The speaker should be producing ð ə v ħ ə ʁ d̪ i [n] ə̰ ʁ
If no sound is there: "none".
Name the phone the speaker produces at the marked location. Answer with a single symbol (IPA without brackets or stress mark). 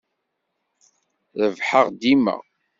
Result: m